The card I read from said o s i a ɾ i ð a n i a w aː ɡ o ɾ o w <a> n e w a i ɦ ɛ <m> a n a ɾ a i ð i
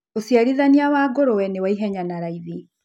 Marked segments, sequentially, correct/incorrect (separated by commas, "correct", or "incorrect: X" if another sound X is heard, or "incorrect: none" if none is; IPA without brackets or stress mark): incorrect: ɛ, incorrect: ɲ